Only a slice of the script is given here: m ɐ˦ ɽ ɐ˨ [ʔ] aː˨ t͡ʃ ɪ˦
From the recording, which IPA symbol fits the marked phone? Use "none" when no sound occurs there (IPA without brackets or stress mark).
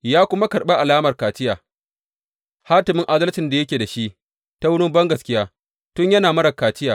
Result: k